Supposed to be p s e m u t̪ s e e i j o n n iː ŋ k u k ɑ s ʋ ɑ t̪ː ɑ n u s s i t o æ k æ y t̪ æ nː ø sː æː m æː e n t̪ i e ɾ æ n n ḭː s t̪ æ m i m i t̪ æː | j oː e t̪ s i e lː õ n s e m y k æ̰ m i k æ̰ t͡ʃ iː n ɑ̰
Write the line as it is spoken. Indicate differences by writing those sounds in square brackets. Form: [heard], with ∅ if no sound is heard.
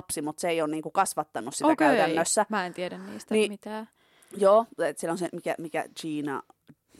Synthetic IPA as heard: p s [i] m u t̪ s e e i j o n n iː ŋ k u k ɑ s ʋ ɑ t̪ː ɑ n u s s i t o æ k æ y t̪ æ nː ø sː [æ] m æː e n t̪ i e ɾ æ n n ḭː s t̪ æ [n] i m i t̪ æː | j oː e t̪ s i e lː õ n s e m [i] k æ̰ m i k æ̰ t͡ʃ iː n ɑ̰